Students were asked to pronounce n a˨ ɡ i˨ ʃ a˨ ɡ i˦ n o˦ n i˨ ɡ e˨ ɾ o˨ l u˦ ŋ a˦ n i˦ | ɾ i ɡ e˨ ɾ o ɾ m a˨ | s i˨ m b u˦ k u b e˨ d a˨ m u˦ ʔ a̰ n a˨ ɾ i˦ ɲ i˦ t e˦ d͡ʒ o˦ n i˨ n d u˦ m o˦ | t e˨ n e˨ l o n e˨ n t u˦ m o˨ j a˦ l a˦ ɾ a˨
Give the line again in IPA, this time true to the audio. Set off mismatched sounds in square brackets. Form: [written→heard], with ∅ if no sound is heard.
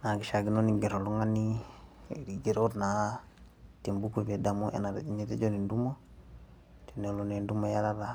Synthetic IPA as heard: n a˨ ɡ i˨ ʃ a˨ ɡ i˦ n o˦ n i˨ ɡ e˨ ɾ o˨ l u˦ ŋ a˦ n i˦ | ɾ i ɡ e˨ ɾ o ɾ [m→n] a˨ | [s→t] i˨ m b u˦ k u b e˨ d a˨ m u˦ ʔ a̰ n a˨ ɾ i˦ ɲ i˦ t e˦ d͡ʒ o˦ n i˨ n d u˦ m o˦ | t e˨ n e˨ l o n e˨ n [t→d] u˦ m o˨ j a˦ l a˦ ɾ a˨

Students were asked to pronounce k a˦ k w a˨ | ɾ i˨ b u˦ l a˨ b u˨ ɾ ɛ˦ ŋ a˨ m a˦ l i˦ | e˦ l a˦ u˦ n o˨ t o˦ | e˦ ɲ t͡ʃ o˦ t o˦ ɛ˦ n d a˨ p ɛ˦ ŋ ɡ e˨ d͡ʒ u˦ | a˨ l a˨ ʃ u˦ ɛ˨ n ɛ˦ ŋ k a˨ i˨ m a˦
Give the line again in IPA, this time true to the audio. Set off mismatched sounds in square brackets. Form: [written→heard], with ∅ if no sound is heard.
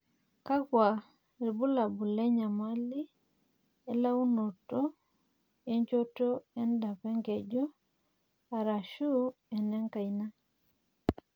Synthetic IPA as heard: k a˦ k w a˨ | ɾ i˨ b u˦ l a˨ b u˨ [ɾ→l] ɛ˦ [ŋ→ɲ] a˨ m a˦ l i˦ | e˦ l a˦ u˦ n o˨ t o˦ | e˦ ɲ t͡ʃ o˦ t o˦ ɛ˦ n d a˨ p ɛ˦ ŋ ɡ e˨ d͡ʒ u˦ | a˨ [l→ɾ] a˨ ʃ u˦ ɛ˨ n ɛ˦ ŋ k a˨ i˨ [m→n] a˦

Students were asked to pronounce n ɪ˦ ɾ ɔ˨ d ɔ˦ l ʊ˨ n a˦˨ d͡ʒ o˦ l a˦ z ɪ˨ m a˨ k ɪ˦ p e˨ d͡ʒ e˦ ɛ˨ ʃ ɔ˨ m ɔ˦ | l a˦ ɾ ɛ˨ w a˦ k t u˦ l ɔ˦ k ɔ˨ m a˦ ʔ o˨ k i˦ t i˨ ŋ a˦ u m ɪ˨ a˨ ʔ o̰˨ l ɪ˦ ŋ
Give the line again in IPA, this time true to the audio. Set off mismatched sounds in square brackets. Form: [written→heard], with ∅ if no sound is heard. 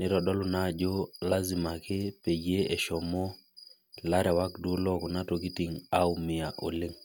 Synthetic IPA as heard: n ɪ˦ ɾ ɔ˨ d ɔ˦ l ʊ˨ n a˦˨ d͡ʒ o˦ l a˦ z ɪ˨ m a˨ k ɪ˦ p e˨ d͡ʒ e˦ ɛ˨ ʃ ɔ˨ m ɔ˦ | l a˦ ɾ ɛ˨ w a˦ k [t→d] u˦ l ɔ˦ k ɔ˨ [m→n] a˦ [ʔ→t] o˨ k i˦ t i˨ ŋ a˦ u m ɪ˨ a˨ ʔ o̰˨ l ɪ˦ ŋ

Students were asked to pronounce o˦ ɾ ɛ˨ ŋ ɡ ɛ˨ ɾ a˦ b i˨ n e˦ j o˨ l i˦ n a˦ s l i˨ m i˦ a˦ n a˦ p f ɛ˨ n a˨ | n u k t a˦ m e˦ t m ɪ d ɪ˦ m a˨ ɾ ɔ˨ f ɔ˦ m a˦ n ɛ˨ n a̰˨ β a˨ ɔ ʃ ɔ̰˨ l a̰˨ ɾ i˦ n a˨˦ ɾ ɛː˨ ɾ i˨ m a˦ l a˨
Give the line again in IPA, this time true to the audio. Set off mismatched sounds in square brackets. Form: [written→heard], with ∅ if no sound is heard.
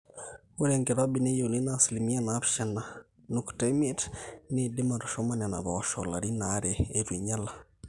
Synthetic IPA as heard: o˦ ɾ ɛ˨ ŋ ɡ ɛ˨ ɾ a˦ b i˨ n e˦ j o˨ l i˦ n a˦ s l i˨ m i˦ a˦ n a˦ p [f→ʃ] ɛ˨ n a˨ | n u k t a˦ m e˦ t [m→n] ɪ d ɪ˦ m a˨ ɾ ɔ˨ [f→ʃ] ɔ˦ m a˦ n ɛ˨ n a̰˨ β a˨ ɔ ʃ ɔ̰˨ l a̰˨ ɾ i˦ n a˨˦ ɾ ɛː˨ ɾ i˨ [m→ɲ] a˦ l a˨

